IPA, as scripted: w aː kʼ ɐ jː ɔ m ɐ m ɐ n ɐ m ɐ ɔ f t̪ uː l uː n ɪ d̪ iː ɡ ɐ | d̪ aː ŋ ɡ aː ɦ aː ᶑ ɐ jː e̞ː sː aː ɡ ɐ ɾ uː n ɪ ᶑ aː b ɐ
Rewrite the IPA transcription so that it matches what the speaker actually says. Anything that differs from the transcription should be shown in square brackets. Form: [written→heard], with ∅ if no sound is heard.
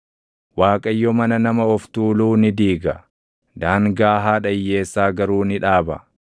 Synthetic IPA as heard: w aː kʼ ɐ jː ɔ m ɐ [m→n] ɐ n ɐ m ɐ ɔ f t̪ uː l uː n ɪ d̪ iː ɡ ɐ | d̪ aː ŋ ɡ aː ɦ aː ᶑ ɐ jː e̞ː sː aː ɡ ɐ ɾ uː n ɪ ᶑ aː b ɐ